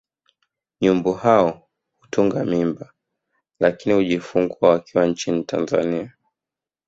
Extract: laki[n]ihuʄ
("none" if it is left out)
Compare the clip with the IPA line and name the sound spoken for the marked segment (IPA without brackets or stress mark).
n